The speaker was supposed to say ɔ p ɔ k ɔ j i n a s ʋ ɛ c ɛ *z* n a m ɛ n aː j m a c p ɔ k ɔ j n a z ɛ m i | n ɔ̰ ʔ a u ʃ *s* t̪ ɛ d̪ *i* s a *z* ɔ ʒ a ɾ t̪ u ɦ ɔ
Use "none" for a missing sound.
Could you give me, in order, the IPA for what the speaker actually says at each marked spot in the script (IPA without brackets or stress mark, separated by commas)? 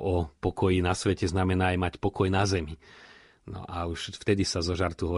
z, f, i, z